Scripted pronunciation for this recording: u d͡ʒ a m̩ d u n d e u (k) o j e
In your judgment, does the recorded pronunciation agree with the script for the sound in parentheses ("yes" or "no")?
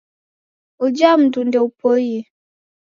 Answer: no